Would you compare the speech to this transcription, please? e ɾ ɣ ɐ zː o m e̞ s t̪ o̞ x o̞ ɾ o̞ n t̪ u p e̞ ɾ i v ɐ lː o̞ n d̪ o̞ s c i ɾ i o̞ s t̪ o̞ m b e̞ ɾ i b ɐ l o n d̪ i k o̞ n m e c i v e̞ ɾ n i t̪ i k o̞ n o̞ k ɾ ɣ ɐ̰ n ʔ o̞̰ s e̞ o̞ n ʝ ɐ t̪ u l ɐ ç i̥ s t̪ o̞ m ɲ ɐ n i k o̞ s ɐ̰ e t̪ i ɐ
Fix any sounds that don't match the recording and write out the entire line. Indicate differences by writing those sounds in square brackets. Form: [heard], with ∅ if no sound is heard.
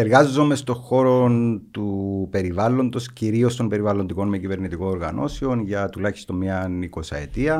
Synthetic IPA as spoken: e ɾ ɣ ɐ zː o m e̞ s t̪ o̞ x o̞ ɾ o̞ n t̪ u p e̞ ɾ i v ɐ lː o̞ n d̪ o̞ s c i ɾ i o̞ s t̪ o̞ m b e̞ ɾ i [v] ɐ l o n d̪ i k o̞ n m e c i v e̞ ɾ n i t̪ i k o̞ n o̞ [∅] ɾ ɣ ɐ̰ n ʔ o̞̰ s e̞ o̞ n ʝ ɐ t̪ u l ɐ ç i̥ s t̪ o̞ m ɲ ɐ n i k o̞ s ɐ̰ e t̪ i ɐ